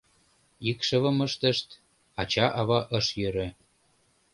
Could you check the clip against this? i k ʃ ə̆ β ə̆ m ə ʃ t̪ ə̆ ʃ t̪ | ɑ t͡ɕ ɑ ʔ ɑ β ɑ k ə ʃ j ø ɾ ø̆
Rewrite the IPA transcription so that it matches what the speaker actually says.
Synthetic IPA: i k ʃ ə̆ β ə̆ m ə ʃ t̪ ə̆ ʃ t̪ | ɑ t͡ɕ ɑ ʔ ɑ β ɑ ʔ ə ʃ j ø ɾ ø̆